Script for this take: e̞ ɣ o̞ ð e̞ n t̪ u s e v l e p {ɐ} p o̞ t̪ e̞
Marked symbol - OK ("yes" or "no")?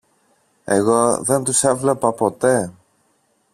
yes